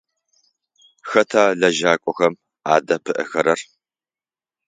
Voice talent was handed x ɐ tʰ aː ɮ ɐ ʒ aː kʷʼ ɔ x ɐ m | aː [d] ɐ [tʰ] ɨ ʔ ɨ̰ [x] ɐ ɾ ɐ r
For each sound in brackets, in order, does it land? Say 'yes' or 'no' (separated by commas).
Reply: yes, no, yes